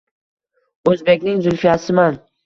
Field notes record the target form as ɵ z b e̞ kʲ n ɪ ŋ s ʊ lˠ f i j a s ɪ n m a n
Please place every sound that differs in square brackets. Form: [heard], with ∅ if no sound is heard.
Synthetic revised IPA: ɵ z b e̞ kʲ n ɪ ŋ [z] ʊ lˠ f i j a s ɪ [∅] m a n